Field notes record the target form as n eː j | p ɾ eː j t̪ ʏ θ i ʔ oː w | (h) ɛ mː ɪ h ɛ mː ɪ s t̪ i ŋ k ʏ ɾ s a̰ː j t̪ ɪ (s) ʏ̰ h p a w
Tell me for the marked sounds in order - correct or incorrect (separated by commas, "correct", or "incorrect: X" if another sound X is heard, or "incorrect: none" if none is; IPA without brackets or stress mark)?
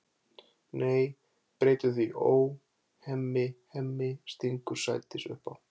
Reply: correct, correct